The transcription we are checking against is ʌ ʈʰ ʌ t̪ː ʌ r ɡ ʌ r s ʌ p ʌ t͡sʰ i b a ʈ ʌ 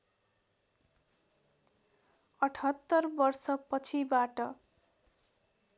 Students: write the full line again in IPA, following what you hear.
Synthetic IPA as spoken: ʌ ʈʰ ʌ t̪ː ʌ r b ʌ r s ʌ p ʌ t͡sʰ i b a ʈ ʌ